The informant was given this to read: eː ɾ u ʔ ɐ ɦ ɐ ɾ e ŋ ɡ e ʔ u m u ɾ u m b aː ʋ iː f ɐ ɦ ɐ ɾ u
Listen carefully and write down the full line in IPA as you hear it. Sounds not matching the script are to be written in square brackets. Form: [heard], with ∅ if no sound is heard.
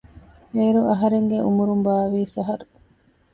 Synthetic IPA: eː ɾ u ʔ ɐ ɦ ɐ ɾ e ŋ ɡ e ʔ u m u ɾ u m b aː ʋ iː [s] ɐ ɦ ɐ ɾ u